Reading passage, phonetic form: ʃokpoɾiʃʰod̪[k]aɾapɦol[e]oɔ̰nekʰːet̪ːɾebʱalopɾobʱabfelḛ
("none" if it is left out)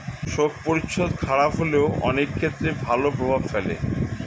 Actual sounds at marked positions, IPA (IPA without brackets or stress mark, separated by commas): kʰ, e